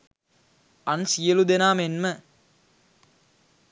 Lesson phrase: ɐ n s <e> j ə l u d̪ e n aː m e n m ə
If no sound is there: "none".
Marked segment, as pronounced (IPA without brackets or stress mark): i